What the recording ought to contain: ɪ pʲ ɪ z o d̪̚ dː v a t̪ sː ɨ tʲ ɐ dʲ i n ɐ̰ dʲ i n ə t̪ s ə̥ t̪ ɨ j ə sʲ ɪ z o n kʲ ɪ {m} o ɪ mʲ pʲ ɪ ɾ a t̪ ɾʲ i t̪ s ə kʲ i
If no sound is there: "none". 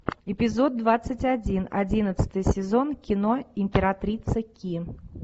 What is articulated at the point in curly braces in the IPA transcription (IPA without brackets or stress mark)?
n